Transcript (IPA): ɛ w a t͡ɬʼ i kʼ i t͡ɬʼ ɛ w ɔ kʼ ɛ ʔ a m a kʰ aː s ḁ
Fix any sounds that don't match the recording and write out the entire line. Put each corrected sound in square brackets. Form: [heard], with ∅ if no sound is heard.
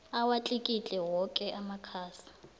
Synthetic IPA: [a] w a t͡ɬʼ i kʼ i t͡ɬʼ ɛ w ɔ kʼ ɛ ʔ a m a kʰ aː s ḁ